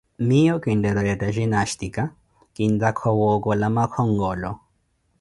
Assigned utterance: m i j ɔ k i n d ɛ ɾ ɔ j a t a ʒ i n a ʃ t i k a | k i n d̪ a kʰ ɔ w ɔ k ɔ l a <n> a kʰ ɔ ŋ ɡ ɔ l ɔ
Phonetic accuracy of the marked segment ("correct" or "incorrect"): incorrect